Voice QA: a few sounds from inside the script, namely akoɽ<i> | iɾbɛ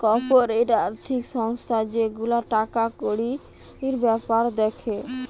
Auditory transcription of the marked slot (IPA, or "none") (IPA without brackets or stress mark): i